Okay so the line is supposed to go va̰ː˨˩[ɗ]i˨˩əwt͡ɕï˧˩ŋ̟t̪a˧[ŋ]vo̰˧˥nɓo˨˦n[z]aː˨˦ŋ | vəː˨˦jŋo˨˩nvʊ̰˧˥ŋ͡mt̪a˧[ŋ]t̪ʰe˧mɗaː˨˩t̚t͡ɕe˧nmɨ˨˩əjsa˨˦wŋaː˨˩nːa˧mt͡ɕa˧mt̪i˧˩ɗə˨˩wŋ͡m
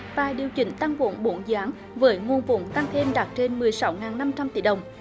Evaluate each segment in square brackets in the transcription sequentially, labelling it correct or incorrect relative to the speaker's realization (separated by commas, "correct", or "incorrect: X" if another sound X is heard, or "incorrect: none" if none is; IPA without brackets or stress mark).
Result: correct, correct, correct, correct